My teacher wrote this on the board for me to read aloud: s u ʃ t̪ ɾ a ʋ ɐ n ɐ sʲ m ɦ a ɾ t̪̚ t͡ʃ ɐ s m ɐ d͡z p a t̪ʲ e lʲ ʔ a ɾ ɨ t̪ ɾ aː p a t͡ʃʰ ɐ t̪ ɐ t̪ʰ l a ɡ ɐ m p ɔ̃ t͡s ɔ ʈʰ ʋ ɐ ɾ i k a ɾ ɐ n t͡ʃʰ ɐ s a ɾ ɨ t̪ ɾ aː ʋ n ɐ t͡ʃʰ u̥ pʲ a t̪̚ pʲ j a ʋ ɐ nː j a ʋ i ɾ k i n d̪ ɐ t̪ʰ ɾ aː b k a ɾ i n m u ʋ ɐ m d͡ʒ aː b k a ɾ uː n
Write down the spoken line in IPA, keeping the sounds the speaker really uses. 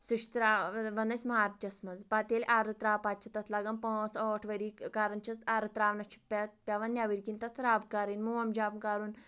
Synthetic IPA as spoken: s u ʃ t̪ ɾ a ʋ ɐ n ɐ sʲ m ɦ a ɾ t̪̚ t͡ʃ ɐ s m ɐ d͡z p a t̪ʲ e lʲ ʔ a ɾ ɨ t̪ ɾ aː p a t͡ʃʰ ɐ t̪ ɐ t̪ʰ l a ɡ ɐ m p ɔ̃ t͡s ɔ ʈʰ ʋ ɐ ɾ i k a ɾ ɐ n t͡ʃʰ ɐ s a ɾ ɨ t̪ ɾ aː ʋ n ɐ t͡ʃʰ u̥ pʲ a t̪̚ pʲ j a ʋ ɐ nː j a ʋ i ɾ k i n t̪ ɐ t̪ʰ ɾ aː b k a ɾ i n m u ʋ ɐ m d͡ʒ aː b k a ɾ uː n